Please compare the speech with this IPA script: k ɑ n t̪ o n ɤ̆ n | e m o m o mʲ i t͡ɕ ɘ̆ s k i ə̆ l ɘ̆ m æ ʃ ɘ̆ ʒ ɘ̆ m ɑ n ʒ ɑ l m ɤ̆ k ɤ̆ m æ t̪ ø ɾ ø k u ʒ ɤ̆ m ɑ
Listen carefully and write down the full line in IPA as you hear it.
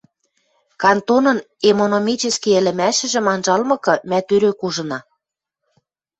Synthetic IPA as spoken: k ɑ n t̪ o n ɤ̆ n | e m o n o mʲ i t͡ɕ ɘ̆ s k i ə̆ l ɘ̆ m æ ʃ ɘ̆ ʒ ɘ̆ m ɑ n ʒ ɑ l m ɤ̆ k ɤ̆ m æ t̪ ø ɾ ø k u ʒ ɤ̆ n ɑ